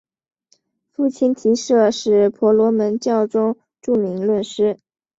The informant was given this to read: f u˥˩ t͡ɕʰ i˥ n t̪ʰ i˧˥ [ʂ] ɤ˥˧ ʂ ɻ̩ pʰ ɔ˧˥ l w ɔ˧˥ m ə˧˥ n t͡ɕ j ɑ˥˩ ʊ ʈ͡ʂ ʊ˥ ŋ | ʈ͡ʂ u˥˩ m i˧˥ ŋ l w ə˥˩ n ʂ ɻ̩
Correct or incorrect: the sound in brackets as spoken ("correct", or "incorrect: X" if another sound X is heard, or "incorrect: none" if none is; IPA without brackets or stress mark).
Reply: correct